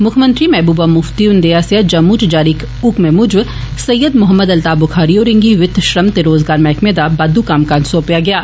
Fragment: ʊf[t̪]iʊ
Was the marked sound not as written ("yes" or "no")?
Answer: no